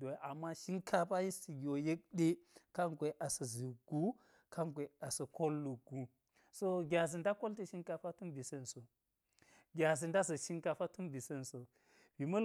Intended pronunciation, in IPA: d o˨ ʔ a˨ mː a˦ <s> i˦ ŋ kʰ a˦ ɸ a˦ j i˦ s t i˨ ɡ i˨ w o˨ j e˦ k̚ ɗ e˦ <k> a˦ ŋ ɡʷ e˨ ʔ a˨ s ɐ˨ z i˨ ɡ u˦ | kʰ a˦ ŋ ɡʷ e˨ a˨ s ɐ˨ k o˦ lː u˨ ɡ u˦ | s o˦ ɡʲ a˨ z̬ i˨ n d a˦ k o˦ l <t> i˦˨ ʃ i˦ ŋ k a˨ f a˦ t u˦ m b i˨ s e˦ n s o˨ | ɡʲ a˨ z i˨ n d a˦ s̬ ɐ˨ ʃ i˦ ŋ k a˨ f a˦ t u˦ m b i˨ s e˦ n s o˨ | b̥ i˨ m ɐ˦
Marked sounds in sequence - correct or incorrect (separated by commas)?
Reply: incorrect, correct, correct